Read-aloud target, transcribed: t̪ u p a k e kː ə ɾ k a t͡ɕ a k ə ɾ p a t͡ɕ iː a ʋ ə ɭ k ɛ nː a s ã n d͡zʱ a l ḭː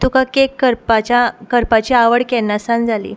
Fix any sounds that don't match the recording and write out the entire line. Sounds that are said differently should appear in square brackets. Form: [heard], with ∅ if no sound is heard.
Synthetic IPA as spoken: t̪ u [k] a k e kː ə ɾ [p] a t͡ɕ a k ə ɾ p a t͡ɕ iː a ʋ ə [ɽ] k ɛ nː a s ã n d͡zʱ a l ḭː